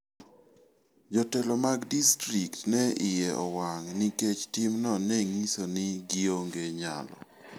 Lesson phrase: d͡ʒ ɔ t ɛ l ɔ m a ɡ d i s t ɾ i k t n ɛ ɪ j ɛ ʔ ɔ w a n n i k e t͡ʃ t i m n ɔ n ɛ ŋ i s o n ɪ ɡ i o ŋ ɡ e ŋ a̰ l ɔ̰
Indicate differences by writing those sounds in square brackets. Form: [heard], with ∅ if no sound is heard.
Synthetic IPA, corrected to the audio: d͡ʒ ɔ t ɛ l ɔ m a ɡ d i s t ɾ i k t n ɛ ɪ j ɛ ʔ ɔ w a [ŋ] n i k e t͡ʃ t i m n ɔ n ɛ ŋ i s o n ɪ ɡ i o ŋ ɡ e [ɲ] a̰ l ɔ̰

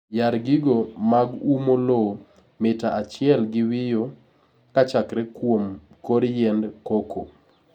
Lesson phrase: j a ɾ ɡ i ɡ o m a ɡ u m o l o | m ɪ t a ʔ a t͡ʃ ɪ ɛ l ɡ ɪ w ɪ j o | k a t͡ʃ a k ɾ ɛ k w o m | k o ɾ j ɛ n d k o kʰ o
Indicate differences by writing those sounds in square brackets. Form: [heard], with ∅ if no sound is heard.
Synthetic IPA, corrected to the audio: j a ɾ ɡ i ɡ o m a ɡ u m o l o | m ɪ t a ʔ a t͡ʃ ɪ ɛ l ɡ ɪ w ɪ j o | k a t͡ʃ a k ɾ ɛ k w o m | k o ɾ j ɛ n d k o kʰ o

